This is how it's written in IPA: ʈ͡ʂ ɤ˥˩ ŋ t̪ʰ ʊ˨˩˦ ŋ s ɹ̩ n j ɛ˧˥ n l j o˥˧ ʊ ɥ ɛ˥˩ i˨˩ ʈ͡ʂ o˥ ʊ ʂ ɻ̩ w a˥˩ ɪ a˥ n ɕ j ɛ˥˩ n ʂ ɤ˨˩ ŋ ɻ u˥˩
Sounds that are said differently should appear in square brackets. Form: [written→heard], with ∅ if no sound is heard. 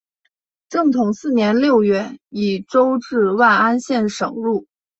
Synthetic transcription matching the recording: ʈ͡ʂ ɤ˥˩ ŋ t̪ʰ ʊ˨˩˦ ŋ s ɹ̩ n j ɛ˧˥ n l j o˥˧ ʊ ɥ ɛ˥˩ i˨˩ ʈ͡ʂ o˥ ʊ [ʂ→ʈ͡ʂ] ɻ̩ w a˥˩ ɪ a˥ n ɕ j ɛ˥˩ n ʂ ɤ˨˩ ŋ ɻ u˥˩